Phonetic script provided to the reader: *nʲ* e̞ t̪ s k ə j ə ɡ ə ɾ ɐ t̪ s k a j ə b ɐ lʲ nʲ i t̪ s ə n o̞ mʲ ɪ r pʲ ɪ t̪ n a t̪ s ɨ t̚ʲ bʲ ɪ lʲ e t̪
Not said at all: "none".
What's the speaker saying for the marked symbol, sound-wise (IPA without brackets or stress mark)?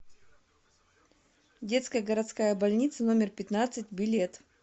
dʲ